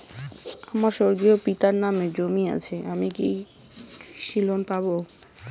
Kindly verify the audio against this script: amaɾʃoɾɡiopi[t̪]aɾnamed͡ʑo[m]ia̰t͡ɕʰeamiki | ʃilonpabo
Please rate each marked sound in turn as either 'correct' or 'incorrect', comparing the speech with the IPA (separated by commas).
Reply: correct, correct